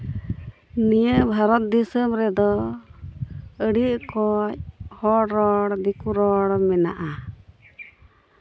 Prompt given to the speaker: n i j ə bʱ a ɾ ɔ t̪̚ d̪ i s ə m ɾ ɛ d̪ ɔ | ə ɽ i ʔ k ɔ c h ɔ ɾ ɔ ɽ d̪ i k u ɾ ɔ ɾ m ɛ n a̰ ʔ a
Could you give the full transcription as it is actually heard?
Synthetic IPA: n i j ə bʱ a ɾ ɔ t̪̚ d̪ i s ə m ɾ ɛ d̪ ɔ | ə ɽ i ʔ k ɔ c h ɔ ɾ ɔ ɽ d̪ i k u ɾ ɔ ɽ m ɛ n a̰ ʔ a

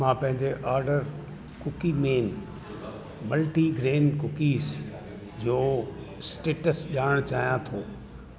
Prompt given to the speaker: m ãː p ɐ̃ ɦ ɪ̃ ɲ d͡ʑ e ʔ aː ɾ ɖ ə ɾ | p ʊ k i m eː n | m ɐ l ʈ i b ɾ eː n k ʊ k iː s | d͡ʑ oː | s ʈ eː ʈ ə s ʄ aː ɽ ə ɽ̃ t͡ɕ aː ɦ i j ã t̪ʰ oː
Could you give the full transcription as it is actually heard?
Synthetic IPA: m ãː p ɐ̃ ɦ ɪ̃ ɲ d͡ʑ e ʔ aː ɾ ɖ ə ɾ | k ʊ k i m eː n | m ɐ l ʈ i ɡ ɾ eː n k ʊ k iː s | d͡ʑ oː | s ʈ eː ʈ ə s ʄ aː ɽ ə ɽ̃ t͡ɕ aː ɦ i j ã t̪ʰ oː

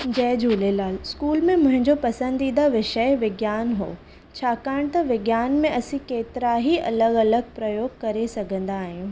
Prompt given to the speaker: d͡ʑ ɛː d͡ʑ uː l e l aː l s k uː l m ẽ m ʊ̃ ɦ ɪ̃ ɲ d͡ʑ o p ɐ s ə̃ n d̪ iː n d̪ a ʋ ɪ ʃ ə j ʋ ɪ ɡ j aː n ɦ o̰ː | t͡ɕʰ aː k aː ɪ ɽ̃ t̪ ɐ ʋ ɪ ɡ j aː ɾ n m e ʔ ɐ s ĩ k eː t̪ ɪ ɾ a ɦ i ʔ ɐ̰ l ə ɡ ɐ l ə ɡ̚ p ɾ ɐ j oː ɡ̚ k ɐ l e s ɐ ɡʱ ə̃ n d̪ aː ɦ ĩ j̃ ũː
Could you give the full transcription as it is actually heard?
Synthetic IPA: d͡ʑ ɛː d͡ʑ uː l e l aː l s k uː l m ẽ m ʊ̃ ɦ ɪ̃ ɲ d͡ʑ o p ɐ s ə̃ n d̪ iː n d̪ a ʋ ɪ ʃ ə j ʋ ɪ ɡ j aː n ɦ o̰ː | t͡ɕʰ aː k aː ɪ ɽ̃ t̪ ɐ ʋ ɪ ɡ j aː n m ẽ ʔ ɐ s ĩ k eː t̪ ɪ ɾ a ɦ i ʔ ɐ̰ l ə ɡ ɐ l ə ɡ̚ p ɾ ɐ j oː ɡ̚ k ɐ ɾ e s ɐ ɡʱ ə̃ n d̪ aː ɦ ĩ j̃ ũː

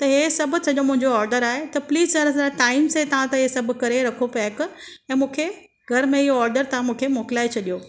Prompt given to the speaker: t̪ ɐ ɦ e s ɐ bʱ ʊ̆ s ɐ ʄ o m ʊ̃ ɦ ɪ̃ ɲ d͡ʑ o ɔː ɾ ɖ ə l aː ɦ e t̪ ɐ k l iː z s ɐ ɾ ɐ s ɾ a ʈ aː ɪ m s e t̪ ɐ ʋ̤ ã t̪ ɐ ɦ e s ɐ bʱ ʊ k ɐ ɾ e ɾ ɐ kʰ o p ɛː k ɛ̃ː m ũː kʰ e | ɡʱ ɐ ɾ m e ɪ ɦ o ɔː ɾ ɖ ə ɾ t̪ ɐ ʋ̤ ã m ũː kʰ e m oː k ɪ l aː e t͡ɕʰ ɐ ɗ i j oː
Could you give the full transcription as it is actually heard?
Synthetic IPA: t̪ ɐ ɦ e s ɐ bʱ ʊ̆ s ɐ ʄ o m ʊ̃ ɦ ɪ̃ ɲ d͡ʑ o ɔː ɾ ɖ ə ɾ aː ɦ e t̪ ɐ p l iː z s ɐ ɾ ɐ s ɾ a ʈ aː ɪ m s e t̪ ɐ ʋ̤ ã t̪ ɐ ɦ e s ɐ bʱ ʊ k ɐ ɾ e ɾ ɐ kʰ o p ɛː k ɛ̃ː m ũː kʰ e | ɡʱ ɐ ɾ m ẽ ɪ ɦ o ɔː ɾ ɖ ə ɾ t̪ ɐ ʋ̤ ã m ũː kʰ e m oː k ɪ l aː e t͡ɕʰ ɐ ɗ i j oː

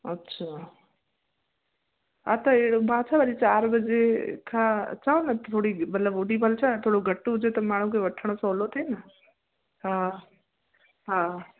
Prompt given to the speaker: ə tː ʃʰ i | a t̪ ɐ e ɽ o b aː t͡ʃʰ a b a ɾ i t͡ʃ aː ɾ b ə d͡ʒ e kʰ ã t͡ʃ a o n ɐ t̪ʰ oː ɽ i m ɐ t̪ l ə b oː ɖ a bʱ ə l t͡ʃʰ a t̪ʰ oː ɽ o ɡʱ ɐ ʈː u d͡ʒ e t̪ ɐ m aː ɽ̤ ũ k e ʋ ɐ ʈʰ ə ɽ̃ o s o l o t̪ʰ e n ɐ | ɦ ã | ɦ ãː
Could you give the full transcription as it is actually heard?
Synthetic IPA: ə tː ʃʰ a | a t̪ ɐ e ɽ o b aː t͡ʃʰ a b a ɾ i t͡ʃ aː ɾ b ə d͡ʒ e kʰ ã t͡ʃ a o n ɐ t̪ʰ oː ɽ i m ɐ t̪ l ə b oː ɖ i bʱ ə l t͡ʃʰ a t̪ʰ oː ɽ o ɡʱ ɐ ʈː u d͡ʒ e t̪ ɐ m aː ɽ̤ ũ k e ʋ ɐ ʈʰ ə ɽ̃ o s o l o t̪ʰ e n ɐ | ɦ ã | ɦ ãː

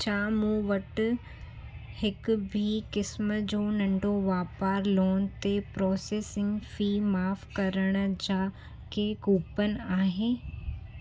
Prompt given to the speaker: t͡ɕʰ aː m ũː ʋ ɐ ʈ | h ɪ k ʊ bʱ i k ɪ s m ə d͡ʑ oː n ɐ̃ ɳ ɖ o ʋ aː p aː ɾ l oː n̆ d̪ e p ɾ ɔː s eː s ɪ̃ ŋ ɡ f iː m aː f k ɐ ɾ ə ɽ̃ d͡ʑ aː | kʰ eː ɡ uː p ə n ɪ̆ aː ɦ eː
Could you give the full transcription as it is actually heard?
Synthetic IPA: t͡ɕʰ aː m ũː ʋ ɐ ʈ | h ɪ k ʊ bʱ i k ɪ s m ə d͡ʑ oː n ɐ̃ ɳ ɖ o ʋ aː p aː ɾ l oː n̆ t̪ e p ɾ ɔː s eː s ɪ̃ ŋ ɡ f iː m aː f k ɐ ɾ ə ɽ̃ d͡ʑ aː | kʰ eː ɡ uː p ə n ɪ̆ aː ɦ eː

